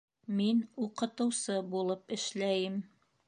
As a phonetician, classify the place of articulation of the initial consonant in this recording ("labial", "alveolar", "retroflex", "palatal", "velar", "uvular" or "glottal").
labial